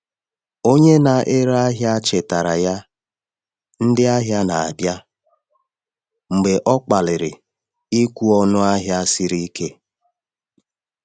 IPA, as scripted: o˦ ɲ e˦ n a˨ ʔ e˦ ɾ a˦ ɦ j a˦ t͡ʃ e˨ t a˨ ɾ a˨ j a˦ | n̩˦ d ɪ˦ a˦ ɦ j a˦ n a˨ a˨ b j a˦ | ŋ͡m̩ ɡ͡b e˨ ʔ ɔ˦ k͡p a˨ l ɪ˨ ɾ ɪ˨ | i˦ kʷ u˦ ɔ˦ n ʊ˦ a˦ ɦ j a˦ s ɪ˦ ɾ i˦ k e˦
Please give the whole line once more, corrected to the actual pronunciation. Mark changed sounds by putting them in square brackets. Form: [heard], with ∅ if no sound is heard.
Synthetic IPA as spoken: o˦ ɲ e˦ n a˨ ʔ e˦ ɾ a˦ ɦ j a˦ t͡ʃ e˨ t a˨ ɾ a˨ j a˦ | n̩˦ d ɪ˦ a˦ ɦ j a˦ n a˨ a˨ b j a˦ | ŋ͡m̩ ɡ͡b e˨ ʔ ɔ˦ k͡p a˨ l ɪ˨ ɾ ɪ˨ | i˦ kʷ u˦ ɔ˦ n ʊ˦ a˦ ɦ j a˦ s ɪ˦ ɾ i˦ k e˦